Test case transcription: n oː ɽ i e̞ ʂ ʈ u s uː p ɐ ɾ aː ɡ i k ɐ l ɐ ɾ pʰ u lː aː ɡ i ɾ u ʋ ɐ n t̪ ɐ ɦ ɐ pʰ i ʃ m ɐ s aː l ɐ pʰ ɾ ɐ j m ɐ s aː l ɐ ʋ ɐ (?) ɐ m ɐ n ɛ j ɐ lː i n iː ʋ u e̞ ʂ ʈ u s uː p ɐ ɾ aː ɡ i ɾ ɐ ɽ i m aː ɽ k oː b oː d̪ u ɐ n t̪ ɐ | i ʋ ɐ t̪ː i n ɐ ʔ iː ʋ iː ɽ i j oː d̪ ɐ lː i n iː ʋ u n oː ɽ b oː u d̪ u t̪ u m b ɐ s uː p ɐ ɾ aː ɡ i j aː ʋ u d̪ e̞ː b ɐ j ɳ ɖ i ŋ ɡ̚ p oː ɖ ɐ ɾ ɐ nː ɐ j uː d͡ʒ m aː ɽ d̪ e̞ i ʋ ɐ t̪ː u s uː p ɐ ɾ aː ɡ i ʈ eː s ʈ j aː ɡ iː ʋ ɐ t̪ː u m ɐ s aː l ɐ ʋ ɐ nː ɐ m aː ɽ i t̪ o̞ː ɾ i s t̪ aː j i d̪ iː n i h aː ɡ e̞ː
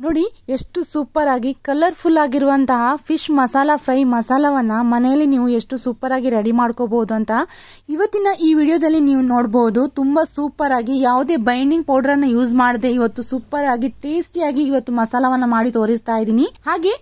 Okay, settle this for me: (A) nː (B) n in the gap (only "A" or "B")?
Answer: A